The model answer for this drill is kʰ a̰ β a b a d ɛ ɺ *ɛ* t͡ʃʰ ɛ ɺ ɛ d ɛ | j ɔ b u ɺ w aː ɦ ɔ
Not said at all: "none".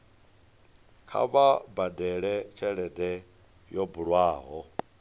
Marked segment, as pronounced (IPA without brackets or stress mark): ɛ